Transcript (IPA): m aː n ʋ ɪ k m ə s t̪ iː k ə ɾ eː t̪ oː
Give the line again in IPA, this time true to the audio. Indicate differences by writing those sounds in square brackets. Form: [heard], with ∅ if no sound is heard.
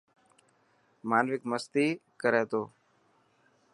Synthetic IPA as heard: m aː n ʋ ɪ k m ə s t̪ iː k ə ɾ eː t̪ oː